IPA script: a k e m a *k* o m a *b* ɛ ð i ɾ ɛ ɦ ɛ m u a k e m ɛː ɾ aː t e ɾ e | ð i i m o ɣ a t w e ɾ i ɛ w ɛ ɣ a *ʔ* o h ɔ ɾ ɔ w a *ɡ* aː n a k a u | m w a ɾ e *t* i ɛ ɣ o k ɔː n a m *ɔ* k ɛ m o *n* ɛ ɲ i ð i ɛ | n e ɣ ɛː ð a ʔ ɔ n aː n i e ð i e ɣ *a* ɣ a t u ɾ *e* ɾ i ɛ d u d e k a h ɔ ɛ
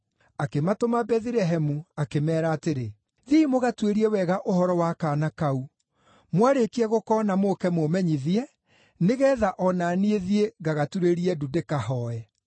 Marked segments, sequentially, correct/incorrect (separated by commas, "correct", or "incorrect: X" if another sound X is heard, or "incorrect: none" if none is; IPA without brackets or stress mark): incorrect: t, correct, correct, incorrect: k, incorrect: k, incorrect: o, incorrect: m, correct, correct